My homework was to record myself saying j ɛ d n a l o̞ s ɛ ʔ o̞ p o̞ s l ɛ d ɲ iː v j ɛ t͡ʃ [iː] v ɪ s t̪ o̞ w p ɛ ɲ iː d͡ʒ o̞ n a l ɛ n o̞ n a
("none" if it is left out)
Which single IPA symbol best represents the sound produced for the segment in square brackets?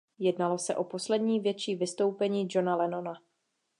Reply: iː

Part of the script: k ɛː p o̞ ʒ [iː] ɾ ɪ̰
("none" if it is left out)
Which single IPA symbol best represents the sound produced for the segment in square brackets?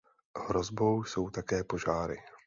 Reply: aː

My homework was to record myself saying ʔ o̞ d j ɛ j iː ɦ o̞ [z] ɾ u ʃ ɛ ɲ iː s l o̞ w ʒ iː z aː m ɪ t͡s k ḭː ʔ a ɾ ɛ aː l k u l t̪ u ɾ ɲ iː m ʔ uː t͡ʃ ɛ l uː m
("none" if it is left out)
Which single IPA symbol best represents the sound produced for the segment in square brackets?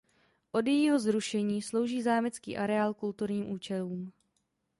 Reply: z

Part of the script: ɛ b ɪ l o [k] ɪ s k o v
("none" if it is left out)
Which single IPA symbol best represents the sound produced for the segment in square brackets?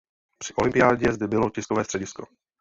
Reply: c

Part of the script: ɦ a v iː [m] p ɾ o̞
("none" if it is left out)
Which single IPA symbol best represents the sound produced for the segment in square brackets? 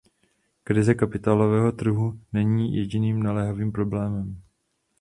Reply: m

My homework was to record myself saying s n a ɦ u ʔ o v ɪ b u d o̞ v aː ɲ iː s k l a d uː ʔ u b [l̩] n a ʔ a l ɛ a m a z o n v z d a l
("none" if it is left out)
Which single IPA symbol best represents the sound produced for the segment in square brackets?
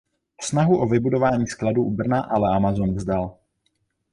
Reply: r̩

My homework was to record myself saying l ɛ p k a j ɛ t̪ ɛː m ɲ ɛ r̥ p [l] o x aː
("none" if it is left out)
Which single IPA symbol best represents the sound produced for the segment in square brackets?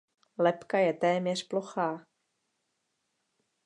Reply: l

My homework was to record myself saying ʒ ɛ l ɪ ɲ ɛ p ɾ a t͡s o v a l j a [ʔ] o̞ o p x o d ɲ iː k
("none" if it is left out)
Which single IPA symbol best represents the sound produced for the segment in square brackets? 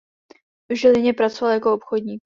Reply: k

